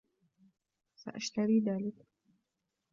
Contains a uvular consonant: no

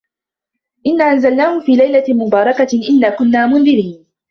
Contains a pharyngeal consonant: no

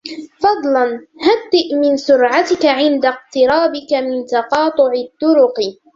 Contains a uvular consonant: yes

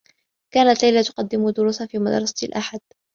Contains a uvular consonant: yes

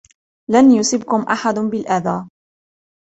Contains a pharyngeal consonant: yes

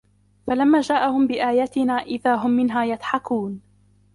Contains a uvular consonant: no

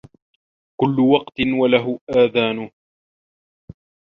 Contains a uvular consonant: yes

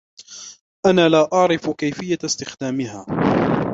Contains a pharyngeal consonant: yes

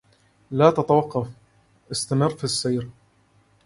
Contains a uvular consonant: yes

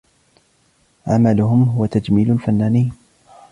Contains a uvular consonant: no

